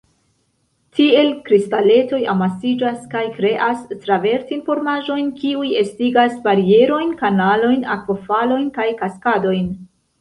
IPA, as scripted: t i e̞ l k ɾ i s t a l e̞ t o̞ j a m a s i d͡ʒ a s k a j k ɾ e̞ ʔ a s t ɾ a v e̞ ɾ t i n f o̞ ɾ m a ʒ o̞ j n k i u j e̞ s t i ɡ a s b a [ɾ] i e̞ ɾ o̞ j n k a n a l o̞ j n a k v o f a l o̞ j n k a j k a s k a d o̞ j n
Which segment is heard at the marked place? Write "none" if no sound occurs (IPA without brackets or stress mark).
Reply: ɾ